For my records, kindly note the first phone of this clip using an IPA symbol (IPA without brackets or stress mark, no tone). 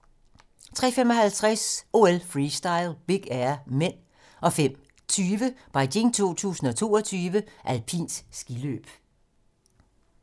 t͡sʰ